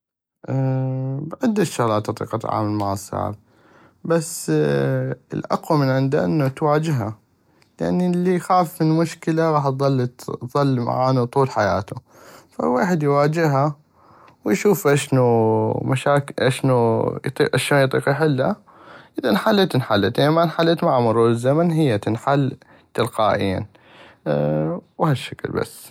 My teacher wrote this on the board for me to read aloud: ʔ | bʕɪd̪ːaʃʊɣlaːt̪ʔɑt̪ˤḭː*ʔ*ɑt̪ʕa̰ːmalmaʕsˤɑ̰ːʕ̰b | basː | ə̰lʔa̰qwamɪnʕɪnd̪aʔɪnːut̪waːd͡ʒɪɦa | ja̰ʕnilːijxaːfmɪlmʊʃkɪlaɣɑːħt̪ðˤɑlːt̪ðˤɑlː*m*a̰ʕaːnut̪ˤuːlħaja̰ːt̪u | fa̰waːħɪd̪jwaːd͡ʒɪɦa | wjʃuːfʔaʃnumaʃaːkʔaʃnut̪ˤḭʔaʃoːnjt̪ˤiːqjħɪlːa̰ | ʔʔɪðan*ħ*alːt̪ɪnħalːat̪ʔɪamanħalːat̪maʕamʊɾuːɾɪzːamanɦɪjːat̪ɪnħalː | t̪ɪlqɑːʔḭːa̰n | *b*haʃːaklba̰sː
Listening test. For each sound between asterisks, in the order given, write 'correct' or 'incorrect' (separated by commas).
incorrect, correct, correct, incorrect